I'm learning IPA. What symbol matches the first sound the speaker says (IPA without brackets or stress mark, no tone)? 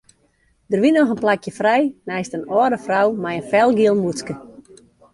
d